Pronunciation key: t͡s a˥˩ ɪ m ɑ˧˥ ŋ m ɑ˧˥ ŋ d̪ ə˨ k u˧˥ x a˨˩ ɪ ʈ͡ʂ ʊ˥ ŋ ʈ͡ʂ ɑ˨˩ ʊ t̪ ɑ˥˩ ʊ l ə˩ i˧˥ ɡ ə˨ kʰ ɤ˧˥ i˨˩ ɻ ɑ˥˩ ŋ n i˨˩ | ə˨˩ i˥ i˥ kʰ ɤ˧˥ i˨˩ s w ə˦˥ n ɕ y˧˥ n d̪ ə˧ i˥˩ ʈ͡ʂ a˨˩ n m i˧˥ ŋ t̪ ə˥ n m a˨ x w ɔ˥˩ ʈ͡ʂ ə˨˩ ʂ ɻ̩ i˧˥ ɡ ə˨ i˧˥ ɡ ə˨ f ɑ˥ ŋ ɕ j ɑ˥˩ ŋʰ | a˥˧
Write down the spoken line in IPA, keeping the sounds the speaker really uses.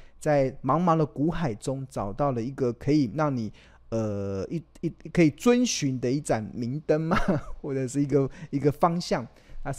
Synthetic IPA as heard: t͡s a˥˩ ɪ m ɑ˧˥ ŋ m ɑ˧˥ ŋ d̪ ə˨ k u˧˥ x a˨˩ ɪ ʈ͡ʂ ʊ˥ ŋ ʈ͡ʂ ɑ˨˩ ʊ t̪ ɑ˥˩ ʊ l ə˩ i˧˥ ɡ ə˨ kʰ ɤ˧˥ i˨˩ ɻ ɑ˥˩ ŋ n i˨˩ | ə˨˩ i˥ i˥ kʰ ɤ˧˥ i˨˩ t͡s w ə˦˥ n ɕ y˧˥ n d̪ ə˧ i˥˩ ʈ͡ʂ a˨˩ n m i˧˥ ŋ t̪ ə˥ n m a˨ x w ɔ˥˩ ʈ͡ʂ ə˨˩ ʂ ɻ̩ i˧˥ ɡ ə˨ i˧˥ ɡ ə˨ f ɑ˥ ŋ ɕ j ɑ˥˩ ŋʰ | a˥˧